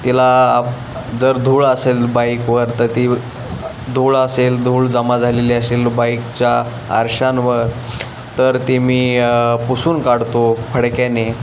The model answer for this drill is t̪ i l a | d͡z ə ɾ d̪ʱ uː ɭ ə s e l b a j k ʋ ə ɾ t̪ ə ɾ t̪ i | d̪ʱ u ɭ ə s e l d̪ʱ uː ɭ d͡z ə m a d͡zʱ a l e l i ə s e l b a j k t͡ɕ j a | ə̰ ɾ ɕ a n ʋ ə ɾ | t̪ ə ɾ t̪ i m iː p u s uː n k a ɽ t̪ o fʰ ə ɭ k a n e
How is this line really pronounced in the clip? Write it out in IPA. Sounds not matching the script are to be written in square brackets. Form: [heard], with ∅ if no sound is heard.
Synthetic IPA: t̪ i l a | d͡z ə ɾ d̪ʱ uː ɭ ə s e l b a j k ʋ ə ɾ t̪ ə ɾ t̪ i | d̪ʱ u ɭ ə s e l d̪ʱ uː ɭ d͡z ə m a d͡zʱ a l e l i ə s e l b a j k t͡ɕ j a | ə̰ ɾ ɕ a n ʋ ə ɾ | t̪ ə ɾ t̪ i m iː p u s uː n k a ɽ t̪ o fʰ ə [ɽ] k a n e